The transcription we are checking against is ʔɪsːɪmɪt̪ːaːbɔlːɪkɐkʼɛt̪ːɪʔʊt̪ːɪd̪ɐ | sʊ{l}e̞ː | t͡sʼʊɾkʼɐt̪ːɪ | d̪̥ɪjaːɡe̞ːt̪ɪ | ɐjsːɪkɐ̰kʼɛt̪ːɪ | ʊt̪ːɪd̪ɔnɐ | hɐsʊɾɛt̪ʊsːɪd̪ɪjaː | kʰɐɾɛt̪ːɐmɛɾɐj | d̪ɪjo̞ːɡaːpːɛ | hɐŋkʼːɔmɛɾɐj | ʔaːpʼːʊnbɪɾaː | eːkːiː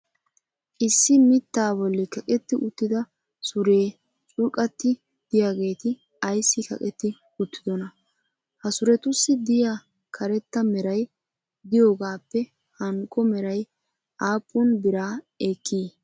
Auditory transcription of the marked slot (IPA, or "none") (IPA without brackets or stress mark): ɾ